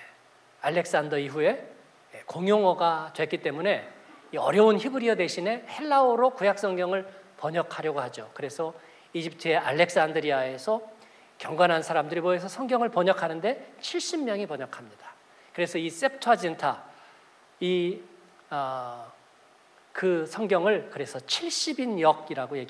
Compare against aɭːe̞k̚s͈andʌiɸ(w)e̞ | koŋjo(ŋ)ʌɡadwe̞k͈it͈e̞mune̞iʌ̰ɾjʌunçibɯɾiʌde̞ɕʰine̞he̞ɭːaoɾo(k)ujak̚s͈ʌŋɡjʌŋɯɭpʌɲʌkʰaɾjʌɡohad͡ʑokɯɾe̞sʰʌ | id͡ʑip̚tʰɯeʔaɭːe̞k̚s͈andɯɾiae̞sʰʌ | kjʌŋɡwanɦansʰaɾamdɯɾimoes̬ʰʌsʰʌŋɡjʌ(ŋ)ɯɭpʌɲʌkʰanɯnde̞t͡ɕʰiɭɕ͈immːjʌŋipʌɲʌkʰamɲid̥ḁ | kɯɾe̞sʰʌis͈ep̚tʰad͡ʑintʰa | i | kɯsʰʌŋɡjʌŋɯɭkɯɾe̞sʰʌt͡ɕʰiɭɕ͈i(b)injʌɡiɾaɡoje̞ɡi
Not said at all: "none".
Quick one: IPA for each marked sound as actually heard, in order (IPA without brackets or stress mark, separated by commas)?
u, ŋ, k, ŋ, b